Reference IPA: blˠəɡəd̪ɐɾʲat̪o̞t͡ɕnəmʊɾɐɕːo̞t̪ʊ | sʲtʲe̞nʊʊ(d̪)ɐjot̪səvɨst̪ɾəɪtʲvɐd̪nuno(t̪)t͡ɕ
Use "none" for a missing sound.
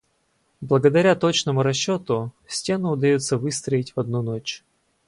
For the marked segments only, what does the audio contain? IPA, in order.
d̪, none

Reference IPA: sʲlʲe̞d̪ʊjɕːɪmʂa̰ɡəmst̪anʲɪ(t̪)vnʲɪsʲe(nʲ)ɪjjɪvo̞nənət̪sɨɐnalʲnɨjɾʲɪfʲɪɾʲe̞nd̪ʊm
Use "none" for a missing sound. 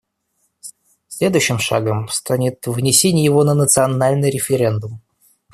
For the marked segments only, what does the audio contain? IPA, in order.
t̪, nʲ

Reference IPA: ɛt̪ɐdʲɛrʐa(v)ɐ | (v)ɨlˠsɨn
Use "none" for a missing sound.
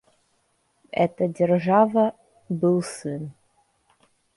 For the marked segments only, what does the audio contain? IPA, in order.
v, b

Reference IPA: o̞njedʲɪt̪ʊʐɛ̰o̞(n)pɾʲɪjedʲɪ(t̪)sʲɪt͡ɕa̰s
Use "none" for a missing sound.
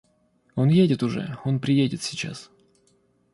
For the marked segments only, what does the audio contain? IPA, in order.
n, t̪

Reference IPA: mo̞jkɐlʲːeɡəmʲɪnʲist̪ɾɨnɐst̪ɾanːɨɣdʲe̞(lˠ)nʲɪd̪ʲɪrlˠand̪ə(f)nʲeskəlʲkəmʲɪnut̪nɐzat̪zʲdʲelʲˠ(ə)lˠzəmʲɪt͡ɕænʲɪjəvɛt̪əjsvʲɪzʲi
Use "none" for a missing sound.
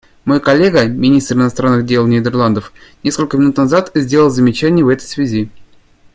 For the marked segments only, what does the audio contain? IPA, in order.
lˠ, f, ə

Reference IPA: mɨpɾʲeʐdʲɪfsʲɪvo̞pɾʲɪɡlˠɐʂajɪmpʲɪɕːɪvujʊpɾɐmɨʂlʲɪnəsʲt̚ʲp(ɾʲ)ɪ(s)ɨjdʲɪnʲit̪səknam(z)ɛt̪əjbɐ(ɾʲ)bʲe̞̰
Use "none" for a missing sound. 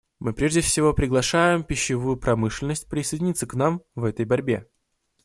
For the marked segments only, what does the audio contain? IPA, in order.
ɾʲ, s, v, ɾʲ

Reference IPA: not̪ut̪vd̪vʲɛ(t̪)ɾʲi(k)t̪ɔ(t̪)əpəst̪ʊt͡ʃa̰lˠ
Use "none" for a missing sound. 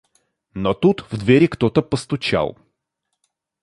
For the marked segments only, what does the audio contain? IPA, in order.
none, k, t̪

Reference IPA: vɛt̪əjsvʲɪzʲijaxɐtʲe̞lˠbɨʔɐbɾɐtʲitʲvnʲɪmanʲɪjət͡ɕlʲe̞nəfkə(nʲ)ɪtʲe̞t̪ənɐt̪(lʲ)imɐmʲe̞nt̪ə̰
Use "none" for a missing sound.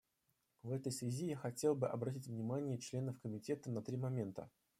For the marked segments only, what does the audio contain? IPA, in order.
mʲ, ɾʲ

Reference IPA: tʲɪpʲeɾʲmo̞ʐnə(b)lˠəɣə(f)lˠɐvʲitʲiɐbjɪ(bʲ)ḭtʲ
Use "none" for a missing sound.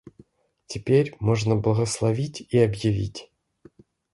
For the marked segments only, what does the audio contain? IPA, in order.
b, s, vʲ

